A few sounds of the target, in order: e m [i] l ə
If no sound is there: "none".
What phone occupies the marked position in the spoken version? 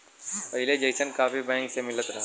ɪ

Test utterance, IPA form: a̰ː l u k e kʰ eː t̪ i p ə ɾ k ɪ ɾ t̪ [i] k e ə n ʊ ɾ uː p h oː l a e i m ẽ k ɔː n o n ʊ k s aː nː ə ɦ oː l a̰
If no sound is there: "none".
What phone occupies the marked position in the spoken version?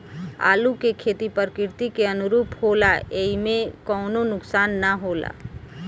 i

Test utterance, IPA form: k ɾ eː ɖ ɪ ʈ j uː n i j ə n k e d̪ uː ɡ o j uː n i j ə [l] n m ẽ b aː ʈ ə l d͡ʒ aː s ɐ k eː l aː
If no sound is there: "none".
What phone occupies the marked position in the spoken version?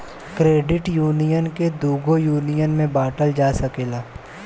none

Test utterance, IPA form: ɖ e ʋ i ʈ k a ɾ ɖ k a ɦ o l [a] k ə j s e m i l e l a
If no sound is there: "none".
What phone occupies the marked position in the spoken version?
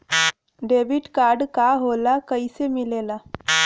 a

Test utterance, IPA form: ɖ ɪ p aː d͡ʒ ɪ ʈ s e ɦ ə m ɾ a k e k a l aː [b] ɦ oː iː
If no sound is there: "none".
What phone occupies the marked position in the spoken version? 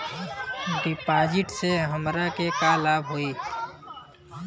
b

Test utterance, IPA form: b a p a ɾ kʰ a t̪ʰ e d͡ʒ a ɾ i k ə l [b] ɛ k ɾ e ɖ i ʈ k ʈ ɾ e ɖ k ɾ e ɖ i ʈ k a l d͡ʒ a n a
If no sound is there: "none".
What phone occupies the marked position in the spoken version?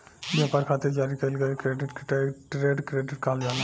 ɡ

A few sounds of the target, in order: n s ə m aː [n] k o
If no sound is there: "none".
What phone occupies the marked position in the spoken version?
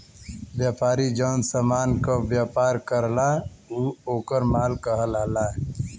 n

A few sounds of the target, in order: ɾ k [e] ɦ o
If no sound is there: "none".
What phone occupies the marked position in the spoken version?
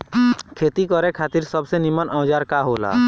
a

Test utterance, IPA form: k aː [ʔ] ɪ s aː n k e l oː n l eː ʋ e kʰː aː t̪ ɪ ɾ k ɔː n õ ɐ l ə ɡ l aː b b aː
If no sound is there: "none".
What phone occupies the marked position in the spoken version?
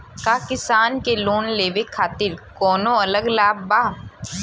k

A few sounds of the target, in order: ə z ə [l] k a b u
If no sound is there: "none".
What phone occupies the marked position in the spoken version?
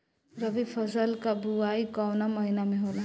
l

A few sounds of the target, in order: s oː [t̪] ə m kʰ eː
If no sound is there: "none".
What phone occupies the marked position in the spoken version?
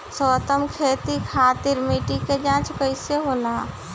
t̪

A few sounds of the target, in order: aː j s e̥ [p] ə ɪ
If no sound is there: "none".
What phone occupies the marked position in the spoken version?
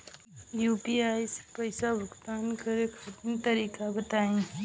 p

